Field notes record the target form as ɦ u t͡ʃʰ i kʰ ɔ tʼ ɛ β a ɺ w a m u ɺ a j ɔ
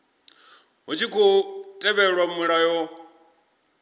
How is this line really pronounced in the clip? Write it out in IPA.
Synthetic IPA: ɦ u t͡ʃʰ i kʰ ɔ tʼ ɛ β ɛ ɺ w a m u ɺ a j ɔ

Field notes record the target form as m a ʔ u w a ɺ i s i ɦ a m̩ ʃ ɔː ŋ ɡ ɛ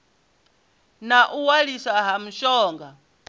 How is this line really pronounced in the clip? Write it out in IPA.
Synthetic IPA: n a ʔ u w a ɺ i s a ɦ a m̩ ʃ ɔː ŋ ɡ a

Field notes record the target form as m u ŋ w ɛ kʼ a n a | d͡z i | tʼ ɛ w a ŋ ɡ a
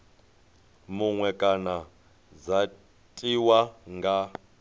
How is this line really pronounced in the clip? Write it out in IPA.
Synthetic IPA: m u ŋ w ɛ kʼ a n a | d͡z a | tʼ i w a ŋ ɡ a

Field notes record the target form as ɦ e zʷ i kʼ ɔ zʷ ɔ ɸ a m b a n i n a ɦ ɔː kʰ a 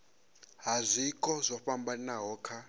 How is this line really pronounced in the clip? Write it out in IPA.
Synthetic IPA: ɦ a zʷ i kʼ ɔ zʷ ɔ ɸ a m b a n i n a ɦ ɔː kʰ a

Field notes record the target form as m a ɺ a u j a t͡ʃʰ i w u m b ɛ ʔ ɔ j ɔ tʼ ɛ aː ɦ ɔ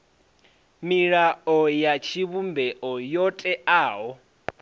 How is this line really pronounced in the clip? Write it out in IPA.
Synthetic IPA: m i ɺ a ɔ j a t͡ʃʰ i β u m b ɛ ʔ ɔ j ɔ tʼ ɛ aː ɦ ɔ

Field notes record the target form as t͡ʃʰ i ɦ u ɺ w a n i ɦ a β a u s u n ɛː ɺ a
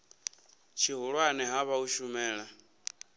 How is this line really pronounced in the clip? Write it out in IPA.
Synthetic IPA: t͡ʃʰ i ɦ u ɺ w a n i ɦ a β a u ʃ u m ɛː ɺ a

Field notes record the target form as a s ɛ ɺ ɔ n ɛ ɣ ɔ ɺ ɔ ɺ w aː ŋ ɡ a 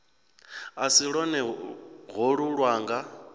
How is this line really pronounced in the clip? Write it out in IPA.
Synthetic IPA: a s i ɺ ɔ n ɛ ɣ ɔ ɺ u ɺ w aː ŋ ɡ a

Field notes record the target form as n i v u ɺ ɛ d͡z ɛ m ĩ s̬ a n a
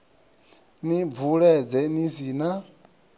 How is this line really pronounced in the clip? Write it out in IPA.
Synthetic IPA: n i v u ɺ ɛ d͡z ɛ n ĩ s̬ i n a

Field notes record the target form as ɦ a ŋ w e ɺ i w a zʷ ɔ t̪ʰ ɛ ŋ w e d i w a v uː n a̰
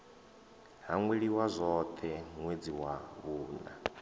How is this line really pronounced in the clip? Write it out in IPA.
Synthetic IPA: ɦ a ŋ w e ɺ i w a zʷ ɔ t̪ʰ ɛ ŋ w e d͡z i w a β uː n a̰

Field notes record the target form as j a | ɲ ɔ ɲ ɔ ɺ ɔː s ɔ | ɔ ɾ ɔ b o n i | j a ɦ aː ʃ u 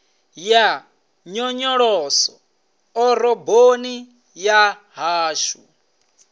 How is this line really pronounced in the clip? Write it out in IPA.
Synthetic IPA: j a | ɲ ɔ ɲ ɔ ɺ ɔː s ɔ | ɔ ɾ ɔ b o n i | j a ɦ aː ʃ u

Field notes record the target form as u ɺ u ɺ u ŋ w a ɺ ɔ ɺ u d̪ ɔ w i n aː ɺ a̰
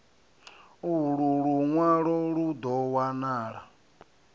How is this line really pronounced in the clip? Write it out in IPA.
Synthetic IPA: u ɺ u ɺ u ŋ w a ɺ ɔ ɺ u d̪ ɔ w a n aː ɺ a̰

